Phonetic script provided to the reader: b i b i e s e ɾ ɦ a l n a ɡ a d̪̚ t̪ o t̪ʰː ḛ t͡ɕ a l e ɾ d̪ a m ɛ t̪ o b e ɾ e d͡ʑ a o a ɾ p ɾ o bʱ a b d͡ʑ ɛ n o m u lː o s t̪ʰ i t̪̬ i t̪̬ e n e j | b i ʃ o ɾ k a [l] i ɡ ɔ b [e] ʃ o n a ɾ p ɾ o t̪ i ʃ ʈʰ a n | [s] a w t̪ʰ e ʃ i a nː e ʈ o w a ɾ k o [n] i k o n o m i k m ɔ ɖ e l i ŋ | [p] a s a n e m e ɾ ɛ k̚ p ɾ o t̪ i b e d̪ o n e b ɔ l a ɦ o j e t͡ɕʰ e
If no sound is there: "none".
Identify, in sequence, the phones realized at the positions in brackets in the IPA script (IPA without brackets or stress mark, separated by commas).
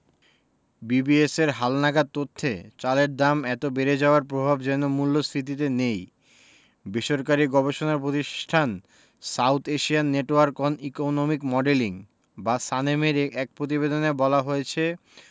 ɾ, e, s, n, b